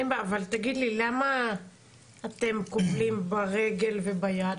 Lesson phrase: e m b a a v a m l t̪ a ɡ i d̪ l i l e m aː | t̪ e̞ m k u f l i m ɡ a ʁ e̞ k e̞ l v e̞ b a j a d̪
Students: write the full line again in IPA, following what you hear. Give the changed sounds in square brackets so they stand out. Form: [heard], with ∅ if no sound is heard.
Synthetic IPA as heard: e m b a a v a [∅] l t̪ a ɡ i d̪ l i l [a] m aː | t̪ e̞ m k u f l i m [b] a ʁ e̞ [ɡ] e̞ l v e̞ b a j a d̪